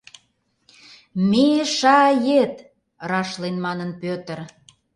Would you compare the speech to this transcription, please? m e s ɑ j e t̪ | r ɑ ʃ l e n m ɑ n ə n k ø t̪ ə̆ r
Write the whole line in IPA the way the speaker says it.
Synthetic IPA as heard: m e ʃ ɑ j e t̪ | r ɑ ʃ l e n m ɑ n ə n p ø t̪ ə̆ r